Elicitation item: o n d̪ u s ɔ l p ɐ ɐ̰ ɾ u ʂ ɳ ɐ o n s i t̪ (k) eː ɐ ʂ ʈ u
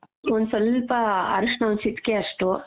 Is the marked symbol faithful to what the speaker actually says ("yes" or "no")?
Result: yes